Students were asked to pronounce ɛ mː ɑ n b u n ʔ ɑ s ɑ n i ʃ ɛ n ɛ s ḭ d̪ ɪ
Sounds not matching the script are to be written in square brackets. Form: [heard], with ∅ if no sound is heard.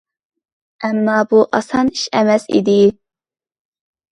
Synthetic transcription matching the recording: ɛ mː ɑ [∅] b u [∅] ʔ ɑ s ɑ n i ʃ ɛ [m] ɛ s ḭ d̪ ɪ